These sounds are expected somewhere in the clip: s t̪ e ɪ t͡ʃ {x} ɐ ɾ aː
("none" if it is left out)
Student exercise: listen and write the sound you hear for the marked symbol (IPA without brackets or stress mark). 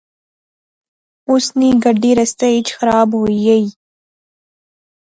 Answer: x